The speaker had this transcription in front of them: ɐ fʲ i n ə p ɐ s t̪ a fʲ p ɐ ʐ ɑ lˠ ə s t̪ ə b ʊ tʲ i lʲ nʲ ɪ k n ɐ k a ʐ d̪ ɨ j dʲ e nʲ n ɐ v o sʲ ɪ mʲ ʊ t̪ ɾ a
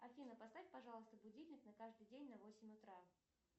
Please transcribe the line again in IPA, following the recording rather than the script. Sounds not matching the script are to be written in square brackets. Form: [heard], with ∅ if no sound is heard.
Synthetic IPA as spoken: ɐ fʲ i n ə p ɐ s t̪ a fʲ p ɐ ʐ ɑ lˠ ə s t̪ ə b ʊ [dʲ] i lʲ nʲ ɪ k n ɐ k a ʐ d̪ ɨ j dʲ e nʲ n ɐ v o sʲ ɪ mʲ ʊ t̪ ɾ a